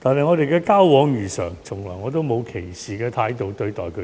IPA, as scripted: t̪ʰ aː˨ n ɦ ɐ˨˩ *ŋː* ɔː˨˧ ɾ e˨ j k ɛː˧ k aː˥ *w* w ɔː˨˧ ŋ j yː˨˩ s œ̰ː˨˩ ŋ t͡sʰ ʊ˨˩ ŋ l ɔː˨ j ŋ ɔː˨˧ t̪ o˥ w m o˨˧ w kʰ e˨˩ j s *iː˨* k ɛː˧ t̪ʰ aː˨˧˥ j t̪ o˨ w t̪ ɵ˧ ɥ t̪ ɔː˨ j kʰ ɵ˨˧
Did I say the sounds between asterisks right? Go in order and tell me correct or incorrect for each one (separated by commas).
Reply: incorrect, correct, correct